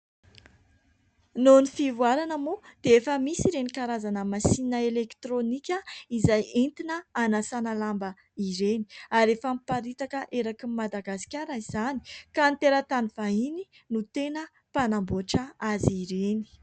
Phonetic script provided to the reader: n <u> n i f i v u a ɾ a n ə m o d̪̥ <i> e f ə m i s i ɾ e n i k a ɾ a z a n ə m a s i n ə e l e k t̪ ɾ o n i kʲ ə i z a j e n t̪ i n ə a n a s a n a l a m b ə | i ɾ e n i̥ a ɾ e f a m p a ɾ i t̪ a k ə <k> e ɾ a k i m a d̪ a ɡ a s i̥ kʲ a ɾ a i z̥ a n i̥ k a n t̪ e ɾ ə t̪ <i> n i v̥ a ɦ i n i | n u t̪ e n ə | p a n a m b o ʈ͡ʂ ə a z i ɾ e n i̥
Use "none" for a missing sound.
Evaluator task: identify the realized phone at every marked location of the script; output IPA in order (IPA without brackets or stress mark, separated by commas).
o, e, ʔ, a